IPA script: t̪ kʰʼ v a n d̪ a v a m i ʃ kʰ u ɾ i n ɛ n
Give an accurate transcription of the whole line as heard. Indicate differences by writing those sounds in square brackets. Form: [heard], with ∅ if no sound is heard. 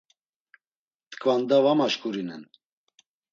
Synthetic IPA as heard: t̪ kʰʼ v a n d̪ a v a m [a] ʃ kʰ u ɾ i n ɛ n